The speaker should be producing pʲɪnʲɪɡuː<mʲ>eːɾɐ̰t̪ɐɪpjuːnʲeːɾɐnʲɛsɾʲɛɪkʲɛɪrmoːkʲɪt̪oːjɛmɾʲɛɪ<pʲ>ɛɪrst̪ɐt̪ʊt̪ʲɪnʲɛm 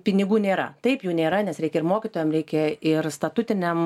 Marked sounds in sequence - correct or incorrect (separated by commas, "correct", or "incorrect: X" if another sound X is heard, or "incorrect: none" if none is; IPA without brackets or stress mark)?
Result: incorrect: nʲ, incorrect: kʲ